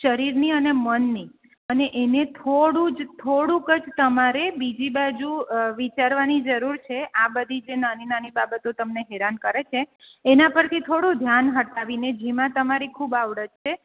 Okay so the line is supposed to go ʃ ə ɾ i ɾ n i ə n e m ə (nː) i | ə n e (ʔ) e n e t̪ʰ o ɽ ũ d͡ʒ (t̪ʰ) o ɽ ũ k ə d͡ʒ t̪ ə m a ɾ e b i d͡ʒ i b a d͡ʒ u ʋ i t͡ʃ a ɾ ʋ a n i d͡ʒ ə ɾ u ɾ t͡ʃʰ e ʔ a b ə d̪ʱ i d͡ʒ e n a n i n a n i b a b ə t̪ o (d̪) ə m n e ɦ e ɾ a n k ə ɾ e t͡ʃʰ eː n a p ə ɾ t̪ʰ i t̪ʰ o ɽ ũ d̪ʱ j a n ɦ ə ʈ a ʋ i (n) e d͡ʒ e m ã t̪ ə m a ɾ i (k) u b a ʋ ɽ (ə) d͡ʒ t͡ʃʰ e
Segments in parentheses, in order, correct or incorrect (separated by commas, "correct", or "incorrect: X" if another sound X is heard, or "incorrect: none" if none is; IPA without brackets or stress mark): correct, correct, correct, incorrect: t̪, correct, incorrect: kʰ, correct